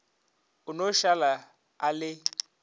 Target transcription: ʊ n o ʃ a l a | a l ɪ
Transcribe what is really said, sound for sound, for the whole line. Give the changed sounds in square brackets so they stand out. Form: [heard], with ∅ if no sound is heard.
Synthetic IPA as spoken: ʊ n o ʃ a l a | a l ɪ